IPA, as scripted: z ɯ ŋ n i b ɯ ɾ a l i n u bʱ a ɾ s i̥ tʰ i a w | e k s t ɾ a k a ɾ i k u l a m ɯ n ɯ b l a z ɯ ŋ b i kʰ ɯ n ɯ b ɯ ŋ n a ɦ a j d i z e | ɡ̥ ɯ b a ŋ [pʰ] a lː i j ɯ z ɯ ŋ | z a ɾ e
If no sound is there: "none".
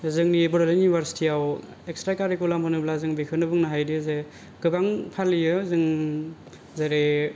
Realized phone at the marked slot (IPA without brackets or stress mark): pʰ